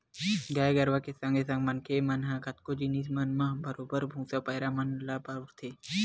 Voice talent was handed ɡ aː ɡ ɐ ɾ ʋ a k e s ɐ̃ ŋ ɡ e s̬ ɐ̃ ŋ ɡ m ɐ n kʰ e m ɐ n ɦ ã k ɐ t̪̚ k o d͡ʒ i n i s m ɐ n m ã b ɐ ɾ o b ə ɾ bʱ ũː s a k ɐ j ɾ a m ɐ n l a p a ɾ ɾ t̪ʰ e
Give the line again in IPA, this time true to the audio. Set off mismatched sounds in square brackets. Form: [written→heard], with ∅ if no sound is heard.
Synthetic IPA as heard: ɡ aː ɡ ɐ ɾ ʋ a k e s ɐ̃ ŋ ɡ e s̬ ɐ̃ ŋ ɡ m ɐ n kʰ e m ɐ n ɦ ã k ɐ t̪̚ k o d͡ʒ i n i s m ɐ n m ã b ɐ ɾ o b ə ɾ bʱ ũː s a [k→p] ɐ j ɾ a m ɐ n l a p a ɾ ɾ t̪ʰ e